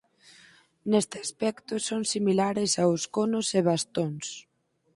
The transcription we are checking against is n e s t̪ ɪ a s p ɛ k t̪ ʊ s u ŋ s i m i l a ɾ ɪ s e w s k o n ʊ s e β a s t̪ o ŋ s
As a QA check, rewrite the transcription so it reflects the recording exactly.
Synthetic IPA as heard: n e s t̪ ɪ a s p ɛ k t̪ ʊ s o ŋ s i m i l a ɾ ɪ s a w s k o n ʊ s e β a s t̪ o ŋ s